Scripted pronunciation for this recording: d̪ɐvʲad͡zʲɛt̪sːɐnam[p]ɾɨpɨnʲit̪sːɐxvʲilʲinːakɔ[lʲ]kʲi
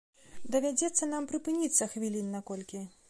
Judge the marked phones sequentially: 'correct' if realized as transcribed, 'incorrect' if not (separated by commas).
correct, correct